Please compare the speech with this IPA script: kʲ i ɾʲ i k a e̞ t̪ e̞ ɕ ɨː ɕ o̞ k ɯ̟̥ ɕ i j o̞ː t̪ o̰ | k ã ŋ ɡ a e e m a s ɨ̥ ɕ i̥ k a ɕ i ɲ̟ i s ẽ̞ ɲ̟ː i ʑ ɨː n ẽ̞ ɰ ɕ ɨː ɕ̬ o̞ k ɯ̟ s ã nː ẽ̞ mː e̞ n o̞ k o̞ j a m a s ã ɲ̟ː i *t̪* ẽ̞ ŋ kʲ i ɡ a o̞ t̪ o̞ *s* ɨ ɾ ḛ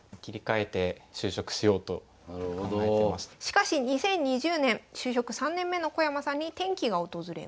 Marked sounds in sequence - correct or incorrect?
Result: correct, incorrect

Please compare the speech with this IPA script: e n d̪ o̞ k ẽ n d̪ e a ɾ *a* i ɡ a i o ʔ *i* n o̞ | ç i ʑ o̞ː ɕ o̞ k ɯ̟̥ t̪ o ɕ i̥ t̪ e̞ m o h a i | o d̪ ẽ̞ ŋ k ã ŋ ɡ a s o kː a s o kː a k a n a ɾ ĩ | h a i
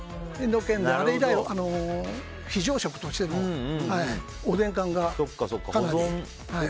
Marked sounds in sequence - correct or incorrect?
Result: incorrect, incorrect

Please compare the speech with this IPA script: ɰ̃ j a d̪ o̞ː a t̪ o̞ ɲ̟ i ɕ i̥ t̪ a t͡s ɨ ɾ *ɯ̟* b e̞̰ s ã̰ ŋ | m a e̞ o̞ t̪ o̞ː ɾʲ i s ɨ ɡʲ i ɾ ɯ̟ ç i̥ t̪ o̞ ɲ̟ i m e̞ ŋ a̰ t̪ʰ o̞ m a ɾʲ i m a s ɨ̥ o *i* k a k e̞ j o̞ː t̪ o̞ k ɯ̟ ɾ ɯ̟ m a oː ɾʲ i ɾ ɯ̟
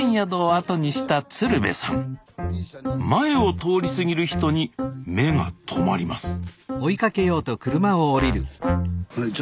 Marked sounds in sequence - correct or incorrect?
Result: correct, correct

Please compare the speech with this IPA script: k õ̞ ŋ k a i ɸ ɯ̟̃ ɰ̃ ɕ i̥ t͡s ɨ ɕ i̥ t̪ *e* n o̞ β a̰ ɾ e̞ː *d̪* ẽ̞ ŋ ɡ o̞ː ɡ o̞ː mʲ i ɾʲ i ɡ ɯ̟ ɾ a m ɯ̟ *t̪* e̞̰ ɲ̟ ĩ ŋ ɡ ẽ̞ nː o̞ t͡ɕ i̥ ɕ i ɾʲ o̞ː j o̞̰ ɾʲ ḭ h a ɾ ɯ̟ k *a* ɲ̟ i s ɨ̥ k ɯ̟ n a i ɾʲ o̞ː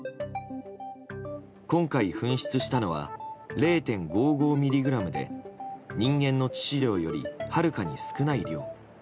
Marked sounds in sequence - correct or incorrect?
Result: incorrect, incorrect, incorrect, correct

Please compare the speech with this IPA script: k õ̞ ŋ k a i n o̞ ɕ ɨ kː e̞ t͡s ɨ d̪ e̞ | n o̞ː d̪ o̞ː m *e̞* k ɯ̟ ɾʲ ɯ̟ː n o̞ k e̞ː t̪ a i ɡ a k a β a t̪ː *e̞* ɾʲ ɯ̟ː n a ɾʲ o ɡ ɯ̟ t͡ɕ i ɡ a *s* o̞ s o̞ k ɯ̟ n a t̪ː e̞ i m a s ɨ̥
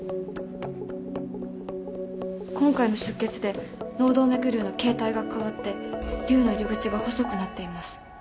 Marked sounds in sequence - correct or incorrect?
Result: correct, correct, incorrect

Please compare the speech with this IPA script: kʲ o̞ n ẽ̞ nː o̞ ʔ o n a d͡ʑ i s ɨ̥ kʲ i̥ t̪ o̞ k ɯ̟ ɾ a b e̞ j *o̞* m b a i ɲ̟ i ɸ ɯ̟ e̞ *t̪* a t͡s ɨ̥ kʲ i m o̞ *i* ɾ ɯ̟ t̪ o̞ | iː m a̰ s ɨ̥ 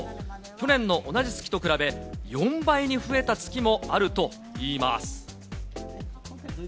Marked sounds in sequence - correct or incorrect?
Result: incorrect, correct, incorrect

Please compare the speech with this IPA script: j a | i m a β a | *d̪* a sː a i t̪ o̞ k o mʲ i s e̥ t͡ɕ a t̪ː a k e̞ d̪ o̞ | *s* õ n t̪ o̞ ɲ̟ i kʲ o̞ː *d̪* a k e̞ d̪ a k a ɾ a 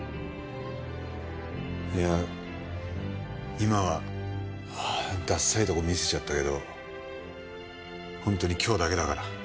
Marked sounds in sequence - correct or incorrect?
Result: correct, incorrect, correct

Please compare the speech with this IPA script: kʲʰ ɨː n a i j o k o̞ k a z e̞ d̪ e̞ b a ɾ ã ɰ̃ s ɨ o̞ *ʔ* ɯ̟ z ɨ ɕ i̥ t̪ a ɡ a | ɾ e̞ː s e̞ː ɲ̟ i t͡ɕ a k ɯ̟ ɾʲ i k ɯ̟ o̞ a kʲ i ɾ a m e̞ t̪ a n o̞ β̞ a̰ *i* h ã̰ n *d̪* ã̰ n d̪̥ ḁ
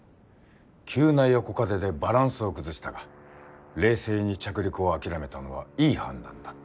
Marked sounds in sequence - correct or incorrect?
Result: incorrect, incorrect, correct

